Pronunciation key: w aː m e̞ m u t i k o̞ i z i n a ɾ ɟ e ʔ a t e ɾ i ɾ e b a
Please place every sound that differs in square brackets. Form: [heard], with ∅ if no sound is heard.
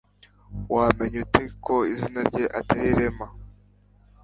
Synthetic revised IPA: w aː m e̞ [ɲ] u t [e] k o̞ i z i n a ɾ ɟ e ʔ a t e ɾ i ɾ e [m] a